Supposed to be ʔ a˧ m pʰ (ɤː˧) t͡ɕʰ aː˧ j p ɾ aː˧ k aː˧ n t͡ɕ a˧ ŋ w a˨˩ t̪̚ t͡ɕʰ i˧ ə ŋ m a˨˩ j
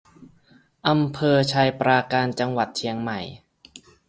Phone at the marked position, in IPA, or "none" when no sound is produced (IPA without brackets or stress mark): ɤː˧